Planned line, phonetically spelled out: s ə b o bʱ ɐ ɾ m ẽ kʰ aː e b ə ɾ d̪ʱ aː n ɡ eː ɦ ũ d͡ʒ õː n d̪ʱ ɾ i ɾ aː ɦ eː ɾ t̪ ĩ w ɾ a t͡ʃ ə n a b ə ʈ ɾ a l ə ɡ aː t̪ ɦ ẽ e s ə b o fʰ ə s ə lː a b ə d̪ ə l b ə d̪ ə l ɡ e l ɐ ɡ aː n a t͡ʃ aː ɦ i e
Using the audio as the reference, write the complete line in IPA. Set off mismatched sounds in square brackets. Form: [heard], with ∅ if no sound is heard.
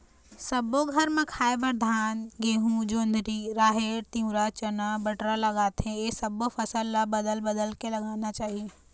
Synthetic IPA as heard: s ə b o [ɡʱ] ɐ ɾ m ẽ kʰ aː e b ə ɾ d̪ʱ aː n ɡ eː ɦ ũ d͡ʒ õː n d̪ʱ ɾ i ɾ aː ɦ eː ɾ t̪ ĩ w ɾ a t͡ʃ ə n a b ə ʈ ɾ a l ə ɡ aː t̪ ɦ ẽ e s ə b o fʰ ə s ə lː a b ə d̪ ə l b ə d̪ ə l [k] e l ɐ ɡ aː n a t͡ʃ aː ɦ i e